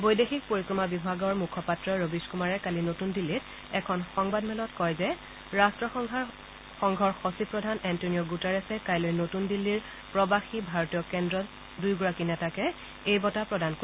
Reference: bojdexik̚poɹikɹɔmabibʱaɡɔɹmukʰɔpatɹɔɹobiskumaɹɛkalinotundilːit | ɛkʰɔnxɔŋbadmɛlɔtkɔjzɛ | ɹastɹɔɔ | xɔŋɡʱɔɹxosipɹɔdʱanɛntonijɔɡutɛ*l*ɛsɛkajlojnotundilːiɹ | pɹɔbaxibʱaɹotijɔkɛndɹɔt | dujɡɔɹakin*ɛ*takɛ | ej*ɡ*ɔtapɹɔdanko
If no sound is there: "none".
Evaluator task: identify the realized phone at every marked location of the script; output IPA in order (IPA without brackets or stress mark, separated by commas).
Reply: ɹ, ɛ, b